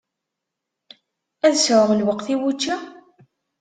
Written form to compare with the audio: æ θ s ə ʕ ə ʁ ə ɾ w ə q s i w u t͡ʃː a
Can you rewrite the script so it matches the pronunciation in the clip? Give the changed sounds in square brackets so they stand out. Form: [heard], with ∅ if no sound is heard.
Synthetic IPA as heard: æ [ð] s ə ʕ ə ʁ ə [l] w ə q [θ] i w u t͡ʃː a

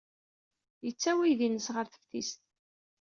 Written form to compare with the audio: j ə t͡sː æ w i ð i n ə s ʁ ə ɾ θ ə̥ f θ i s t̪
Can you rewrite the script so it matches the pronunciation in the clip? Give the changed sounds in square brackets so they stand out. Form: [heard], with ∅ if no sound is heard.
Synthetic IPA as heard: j ə t͡sː æ w i ð i n ə s ʁ ə ɾ θ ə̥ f θ i s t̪

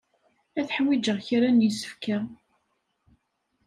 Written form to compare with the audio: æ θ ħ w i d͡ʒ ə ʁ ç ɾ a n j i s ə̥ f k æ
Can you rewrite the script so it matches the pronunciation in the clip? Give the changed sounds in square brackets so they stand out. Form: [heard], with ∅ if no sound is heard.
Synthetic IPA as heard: æ θ ħ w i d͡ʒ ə ʁ ç ɾ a n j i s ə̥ f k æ

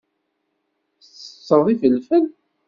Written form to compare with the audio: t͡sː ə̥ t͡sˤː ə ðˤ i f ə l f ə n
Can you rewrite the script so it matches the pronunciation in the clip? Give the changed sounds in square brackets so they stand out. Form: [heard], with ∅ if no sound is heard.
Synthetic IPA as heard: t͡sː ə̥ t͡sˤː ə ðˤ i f ə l f ə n

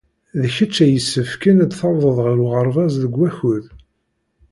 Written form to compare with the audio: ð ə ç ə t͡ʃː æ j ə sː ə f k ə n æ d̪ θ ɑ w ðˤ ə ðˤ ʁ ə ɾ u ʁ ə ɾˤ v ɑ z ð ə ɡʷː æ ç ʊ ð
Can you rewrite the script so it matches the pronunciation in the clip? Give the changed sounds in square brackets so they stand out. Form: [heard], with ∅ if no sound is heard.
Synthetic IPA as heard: ð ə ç ə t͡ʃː æ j ə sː ə f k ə n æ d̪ θ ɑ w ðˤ ə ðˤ ʁ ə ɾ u ʁ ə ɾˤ v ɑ z ð ə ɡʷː æ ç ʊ ð

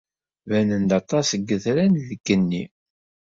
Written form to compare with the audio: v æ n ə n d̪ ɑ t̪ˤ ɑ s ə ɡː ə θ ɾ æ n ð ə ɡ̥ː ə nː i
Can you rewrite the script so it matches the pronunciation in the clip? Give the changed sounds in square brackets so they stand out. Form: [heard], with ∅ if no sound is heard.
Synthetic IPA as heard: v æ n ə n d̪ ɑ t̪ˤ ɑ s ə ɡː ə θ ɾ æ n ð ə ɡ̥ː ə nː i

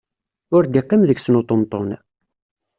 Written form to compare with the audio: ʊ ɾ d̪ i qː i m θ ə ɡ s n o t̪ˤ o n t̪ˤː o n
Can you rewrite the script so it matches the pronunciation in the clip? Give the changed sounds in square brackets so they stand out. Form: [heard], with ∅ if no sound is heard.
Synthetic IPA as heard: ʊ ɾ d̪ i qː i m [ð] ə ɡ s n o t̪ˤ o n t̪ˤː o n

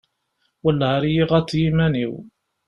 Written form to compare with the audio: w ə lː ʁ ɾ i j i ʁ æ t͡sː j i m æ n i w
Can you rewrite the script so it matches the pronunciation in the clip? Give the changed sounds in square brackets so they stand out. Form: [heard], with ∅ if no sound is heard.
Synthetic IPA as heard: w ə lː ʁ ɾ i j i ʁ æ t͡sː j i m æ n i w

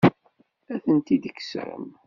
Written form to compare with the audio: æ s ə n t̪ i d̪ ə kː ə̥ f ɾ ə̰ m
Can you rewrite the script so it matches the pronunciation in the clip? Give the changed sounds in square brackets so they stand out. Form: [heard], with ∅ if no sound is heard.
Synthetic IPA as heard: æ [θ] ə n t̪ i d̪ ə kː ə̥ [s] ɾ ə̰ m

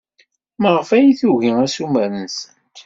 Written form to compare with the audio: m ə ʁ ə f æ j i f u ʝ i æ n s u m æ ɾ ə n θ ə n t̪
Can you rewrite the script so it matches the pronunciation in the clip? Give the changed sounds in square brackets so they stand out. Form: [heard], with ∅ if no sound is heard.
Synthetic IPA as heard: m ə ʁ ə f æ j i [θ] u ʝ i æ [∅] s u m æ ɾ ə n [s] ə n t̪

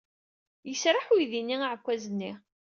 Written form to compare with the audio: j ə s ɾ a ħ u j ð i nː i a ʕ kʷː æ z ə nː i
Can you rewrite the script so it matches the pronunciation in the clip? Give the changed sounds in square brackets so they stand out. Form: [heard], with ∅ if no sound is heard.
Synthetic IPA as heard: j ə s ɾ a ħ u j ð i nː i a ʕ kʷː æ z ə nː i

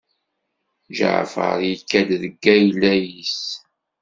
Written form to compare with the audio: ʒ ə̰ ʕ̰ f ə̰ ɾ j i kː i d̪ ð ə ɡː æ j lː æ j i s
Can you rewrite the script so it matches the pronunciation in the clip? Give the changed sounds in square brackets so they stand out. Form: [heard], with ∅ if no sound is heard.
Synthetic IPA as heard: ʒ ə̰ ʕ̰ f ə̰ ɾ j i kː [æ] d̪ ð ə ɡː æ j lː æ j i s

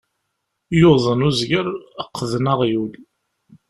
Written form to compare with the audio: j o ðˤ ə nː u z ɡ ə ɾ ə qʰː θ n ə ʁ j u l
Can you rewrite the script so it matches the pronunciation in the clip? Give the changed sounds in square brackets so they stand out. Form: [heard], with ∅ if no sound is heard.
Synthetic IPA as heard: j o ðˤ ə [n] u z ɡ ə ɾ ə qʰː [ð] n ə ʁ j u l

